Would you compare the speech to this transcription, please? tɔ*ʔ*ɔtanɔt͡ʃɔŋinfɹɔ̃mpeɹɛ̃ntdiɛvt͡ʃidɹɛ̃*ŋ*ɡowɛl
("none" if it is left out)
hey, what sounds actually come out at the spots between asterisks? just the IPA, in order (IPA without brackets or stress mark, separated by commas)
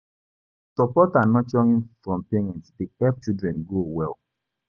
p, n